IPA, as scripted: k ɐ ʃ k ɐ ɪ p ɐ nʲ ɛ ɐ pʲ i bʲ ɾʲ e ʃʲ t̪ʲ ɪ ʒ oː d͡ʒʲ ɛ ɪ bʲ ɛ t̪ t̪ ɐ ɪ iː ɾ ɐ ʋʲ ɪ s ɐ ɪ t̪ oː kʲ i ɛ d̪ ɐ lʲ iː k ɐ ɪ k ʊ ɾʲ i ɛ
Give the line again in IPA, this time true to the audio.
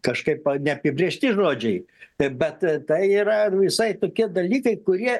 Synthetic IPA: k ɐ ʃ k ɐ ɪ p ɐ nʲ ɛ ɐ pʲ ɪ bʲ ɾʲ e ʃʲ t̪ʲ ɪ ʒ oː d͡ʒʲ ɛ ɪ bʲ ɛ t̪ t̪ ɐ ɪ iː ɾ ɐ ʋʲ ɪ s ɐ ɪ t̪ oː kʲ i ɛ d̪ ɐ lʲ iː k ɐ ɪ k ʊ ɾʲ i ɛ